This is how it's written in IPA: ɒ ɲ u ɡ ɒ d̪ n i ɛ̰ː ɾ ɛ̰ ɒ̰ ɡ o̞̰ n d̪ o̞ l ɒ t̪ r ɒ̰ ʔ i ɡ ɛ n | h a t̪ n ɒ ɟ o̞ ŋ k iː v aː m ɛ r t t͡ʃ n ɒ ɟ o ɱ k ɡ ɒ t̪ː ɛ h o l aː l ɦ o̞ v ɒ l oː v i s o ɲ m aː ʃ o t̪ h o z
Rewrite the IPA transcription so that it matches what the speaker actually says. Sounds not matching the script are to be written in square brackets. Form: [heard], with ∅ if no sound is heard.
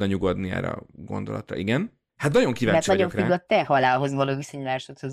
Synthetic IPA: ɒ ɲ u ɡ [o] d̪ n i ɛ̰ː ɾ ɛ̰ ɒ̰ ɡ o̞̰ n d̪ o̞ l ɒ t̪ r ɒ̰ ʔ i ɡ ɛ n | h a t̪ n ɒ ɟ o̞ ŋ k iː v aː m ɛ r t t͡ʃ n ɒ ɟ o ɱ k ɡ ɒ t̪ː ɛ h [ɒ] l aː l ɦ o̞ [z] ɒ l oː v i s o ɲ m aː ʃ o t̪ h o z